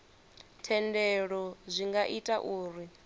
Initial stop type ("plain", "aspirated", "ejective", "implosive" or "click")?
aspirated